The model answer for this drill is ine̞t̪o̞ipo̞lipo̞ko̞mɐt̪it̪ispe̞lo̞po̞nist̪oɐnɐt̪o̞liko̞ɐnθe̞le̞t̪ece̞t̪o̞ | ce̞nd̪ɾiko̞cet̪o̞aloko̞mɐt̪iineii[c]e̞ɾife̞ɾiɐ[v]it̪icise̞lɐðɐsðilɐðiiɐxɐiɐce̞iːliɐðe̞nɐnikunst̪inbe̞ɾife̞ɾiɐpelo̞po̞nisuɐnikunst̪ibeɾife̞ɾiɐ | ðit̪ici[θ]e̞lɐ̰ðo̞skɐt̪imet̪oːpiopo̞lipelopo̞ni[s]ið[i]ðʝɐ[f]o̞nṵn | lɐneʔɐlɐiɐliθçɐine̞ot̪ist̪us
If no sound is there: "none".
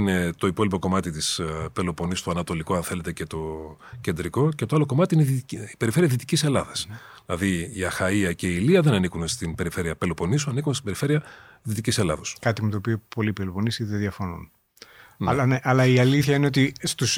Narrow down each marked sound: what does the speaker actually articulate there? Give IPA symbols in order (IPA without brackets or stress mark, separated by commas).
p, ð, s, s, e, f